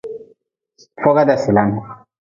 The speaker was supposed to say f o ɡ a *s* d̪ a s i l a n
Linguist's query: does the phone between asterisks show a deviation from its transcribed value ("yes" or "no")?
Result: yes